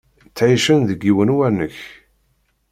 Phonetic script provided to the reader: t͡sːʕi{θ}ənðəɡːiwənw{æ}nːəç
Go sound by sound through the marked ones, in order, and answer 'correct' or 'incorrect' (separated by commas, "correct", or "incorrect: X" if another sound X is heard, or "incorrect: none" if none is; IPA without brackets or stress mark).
incorrect: ʃ, correct